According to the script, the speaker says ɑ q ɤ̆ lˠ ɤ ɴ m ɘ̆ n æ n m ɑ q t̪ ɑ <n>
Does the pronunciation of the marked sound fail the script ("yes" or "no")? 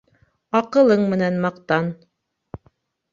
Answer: no